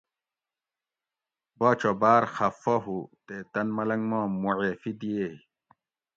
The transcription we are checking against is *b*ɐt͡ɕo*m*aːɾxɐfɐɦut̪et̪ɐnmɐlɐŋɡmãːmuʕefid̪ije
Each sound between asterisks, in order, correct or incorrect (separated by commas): correct, incorrect